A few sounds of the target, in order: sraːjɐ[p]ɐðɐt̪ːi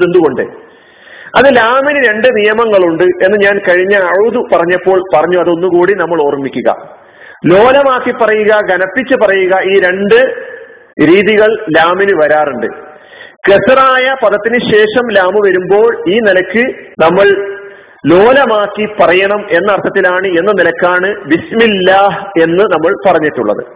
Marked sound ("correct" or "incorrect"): correct